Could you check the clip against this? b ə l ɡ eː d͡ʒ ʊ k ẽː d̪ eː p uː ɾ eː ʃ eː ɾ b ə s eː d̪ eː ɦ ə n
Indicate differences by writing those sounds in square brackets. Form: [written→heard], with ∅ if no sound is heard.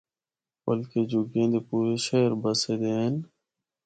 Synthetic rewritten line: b ə l [ɡ→k] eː d͡ʒ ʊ [k→ɡ] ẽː d̪ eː p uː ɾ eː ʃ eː ɾ b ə s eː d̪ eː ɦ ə n